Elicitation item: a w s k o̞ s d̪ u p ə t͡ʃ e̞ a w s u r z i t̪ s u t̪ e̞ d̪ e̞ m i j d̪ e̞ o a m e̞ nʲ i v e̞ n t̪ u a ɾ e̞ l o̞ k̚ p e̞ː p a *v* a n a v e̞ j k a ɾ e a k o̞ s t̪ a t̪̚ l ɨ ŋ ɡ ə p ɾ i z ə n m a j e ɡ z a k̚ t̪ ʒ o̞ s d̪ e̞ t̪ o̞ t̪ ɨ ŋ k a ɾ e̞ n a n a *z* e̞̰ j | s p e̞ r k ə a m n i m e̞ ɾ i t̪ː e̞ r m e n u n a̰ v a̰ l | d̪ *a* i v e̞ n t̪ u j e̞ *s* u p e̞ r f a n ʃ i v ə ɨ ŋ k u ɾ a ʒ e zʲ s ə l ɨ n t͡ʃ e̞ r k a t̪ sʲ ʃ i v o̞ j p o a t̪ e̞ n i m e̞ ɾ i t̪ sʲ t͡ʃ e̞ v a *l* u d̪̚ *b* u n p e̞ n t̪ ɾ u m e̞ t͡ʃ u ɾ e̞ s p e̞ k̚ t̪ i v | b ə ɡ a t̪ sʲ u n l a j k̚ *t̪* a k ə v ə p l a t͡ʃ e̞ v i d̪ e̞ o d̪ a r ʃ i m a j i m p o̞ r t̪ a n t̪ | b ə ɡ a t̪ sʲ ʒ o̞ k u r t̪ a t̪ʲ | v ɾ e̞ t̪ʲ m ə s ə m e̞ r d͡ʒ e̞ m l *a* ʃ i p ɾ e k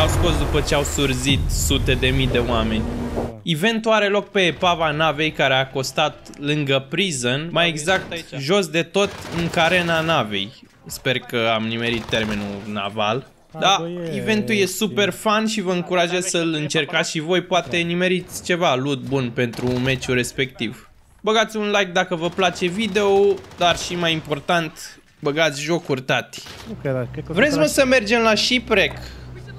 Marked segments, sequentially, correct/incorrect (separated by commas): correct, incorrect, correct, correct, correct, correct, incorrect, correct